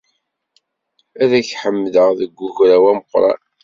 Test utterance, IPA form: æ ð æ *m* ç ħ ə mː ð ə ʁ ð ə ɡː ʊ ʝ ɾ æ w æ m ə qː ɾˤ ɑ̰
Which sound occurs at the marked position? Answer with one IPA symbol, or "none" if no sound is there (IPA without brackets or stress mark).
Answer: none